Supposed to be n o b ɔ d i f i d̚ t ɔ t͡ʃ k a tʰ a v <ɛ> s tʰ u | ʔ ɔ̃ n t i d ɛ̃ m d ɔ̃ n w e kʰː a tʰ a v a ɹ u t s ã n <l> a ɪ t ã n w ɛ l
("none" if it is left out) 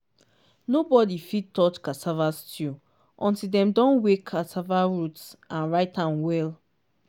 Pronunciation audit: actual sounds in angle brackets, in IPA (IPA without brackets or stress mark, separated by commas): a, ɹ